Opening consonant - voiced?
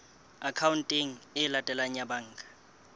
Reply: no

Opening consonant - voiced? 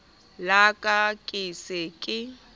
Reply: yes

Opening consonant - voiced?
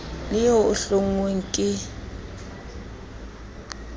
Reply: yes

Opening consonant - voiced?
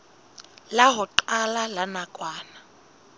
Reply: yes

